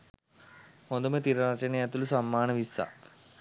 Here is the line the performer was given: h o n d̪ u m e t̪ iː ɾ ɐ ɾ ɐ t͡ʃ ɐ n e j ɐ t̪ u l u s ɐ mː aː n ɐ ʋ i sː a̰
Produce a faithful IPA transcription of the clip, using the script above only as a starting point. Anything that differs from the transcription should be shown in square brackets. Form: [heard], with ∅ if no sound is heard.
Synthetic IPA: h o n d̪ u m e t̪ [i] ɾ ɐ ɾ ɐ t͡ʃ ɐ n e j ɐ t̪ u l u s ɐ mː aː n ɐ ʋ i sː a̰